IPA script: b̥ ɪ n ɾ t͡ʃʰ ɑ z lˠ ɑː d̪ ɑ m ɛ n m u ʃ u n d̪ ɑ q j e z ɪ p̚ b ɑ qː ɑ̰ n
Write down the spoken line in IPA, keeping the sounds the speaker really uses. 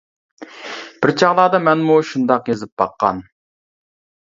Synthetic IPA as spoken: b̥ ɪ ɾ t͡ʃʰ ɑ ʁ lˠ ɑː d̪ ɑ m ɛ n m u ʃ u n d̪ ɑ q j e z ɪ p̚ b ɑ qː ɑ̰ n

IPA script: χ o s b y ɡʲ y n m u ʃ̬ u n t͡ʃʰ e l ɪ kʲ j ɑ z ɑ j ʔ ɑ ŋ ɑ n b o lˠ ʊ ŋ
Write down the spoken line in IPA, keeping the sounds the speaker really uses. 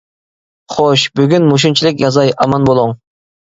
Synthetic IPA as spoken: χ o ʃ b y ɡʲ y n m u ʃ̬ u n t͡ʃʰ i l ɪ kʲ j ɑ z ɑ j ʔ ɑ m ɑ n b o lˠ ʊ ŋ

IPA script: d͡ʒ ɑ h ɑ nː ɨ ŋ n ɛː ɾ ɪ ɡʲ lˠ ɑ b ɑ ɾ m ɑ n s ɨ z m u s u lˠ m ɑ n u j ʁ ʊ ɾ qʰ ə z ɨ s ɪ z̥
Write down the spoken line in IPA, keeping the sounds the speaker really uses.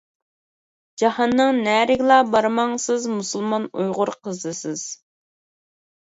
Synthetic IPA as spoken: d͡ʒ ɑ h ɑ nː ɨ ŋ n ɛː ɾ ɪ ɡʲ lˠ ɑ b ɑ ɾ m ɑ ŋ s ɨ z m u s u lˠ m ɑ n u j ʁ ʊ ɾ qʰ ə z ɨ s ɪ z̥

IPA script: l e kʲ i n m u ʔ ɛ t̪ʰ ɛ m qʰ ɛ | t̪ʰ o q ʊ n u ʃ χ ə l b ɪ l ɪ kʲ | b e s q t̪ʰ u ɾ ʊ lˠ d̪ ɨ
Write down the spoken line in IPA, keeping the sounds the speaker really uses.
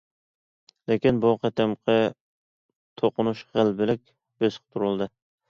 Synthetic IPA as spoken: l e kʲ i n b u q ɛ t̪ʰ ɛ m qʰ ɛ | t̪ʰ o q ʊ n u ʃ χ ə l b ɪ l ɪ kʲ | b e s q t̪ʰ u ɾ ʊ lˠ d̪ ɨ

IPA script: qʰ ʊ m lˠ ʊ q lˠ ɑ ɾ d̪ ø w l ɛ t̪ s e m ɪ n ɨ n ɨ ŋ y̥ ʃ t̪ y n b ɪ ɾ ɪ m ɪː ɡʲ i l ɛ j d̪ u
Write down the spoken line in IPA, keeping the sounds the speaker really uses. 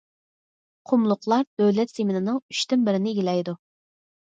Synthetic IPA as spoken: qʰ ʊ m lˠ ʊ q lˠ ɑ ɾ d̪ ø w l ɛ t̪ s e m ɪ n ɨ n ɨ ŋ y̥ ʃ t̪ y n b ɪ ɾ ɪ n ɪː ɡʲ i l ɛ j d̪ u

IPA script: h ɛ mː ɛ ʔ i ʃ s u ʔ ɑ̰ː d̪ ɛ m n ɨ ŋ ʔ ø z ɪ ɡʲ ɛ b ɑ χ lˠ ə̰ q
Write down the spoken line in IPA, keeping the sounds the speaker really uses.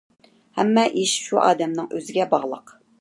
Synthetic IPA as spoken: h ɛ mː ɛ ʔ i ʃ ʃ u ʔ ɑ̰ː d̪ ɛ m n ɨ ŋ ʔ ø z ɪ ɡʲ ɛ b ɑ ʁ lˠ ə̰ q

